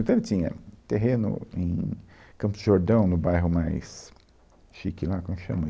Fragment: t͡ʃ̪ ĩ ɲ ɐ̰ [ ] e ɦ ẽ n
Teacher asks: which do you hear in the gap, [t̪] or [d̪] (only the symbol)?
t̪